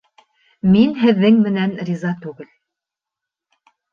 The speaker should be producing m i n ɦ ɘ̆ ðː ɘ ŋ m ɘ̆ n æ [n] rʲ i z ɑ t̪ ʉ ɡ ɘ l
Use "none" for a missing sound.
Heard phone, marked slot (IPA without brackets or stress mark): n